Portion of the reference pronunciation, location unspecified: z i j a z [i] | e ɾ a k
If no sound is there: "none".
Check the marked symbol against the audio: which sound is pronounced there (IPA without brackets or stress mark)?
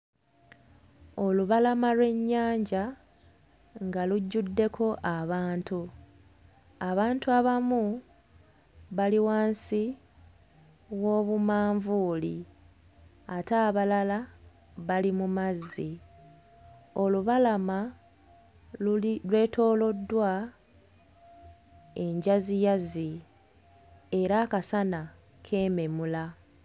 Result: i